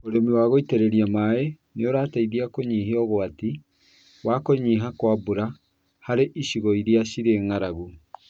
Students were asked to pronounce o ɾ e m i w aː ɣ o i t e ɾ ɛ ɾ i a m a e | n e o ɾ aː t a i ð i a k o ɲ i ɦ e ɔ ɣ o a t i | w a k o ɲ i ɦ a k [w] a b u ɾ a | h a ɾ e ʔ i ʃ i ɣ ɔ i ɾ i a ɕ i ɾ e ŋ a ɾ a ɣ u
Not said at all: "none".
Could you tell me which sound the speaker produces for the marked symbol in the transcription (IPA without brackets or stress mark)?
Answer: w